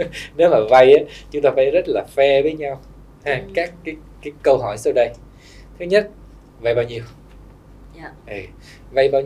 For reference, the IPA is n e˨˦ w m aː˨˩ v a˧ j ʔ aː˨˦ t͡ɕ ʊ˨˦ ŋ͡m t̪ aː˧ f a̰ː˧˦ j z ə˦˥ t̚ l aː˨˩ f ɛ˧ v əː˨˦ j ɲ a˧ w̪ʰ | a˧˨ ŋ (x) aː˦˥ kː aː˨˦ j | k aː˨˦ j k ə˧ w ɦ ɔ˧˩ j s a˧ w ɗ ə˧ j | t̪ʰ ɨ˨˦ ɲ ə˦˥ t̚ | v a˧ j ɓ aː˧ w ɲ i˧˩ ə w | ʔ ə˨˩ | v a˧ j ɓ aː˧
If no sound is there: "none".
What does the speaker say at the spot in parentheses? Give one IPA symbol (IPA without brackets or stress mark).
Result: k